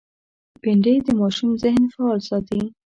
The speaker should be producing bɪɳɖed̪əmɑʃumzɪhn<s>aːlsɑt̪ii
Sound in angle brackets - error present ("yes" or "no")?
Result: yes